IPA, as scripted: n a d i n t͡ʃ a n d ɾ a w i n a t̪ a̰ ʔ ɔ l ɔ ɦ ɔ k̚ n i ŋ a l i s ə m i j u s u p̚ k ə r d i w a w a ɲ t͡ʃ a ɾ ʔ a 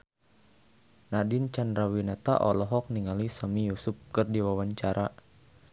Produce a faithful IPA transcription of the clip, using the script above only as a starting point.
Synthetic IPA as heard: n a d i n t͡ʃ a n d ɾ a w i n a t̪ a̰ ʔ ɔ l ɔ ɦ ɔ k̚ n i ŋ a l i s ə m i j u s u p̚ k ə r d i w a w a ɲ t͡ʃ a ɾ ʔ a